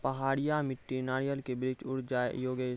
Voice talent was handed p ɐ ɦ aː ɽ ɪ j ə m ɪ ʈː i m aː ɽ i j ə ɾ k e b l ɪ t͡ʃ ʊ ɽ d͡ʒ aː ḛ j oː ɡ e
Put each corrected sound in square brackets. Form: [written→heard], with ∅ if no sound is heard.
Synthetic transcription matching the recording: p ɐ ɦ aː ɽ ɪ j [ə→a] m ɪ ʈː i [m→n] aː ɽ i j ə [ɾ→l] k e b [l→ɾ] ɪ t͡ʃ ʊ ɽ d͡ʒ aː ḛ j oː ɡ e